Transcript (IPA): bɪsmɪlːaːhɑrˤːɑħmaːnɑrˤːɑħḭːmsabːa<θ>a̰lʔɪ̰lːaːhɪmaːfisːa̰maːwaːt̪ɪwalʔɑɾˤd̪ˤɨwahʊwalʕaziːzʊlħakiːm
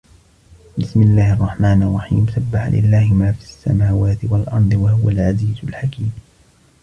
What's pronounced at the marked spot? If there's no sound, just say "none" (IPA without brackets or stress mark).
ħ